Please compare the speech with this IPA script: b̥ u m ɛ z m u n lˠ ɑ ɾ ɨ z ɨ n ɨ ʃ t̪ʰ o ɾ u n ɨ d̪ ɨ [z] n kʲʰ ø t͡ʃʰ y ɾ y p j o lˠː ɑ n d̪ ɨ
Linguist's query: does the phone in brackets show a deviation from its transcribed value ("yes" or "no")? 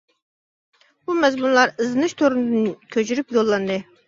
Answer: yes